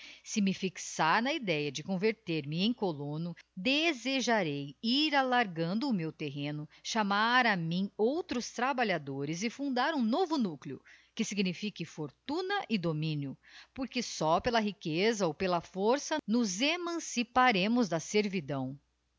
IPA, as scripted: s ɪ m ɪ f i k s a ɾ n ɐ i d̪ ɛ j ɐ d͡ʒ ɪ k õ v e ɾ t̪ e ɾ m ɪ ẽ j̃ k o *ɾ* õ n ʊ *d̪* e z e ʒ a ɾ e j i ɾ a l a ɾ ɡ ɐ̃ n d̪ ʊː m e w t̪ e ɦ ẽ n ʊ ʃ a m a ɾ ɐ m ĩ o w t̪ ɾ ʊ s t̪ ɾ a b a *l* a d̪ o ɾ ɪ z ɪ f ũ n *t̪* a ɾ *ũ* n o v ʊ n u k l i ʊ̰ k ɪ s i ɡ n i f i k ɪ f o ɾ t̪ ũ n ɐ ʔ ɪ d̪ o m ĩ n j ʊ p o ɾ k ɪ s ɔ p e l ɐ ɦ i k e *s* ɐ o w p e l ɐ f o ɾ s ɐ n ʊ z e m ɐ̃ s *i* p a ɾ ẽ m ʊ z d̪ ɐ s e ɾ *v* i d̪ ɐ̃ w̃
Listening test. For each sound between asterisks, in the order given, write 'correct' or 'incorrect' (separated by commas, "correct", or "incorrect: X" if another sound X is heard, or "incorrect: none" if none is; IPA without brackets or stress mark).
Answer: incorrect: l, correct, incorrect: ʎ, incorrect: d̪, correct, incorrect: z, correct, correct